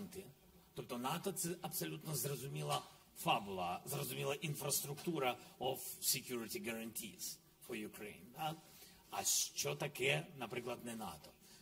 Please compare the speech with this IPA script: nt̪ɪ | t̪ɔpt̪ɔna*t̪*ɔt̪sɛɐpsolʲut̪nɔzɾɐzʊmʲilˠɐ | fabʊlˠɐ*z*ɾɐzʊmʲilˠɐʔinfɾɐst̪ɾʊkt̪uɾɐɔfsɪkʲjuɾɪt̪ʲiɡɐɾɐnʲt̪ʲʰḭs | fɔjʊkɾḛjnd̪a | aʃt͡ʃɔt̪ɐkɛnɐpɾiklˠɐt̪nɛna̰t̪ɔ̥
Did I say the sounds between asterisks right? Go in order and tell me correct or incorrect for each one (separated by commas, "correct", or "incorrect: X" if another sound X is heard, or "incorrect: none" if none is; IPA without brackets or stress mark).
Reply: correct, correct